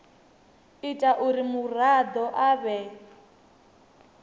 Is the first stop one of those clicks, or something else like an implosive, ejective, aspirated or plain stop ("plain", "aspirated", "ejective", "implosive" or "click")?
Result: ejective